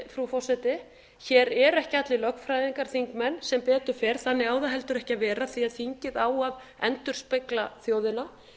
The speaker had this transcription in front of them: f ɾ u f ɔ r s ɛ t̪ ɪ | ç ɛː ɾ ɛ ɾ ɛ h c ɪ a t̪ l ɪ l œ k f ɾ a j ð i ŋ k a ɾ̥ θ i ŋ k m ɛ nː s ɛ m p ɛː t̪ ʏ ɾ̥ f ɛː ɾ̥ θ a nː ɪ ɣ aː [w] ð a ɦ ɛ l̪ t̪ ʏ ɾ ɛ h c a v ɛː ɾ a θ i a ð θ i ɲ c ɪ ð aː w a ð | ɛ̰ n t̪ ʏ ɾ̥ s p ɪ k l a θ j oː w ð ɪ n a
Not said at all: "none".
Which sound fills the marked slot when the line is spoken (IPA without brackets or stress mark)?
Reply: w